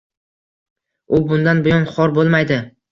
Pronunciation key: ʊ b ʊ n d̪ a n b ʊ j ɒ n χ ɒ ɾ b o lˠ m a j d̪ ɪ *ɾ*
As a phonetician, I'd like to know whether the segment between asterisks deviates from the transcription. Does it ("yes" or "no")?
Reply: yes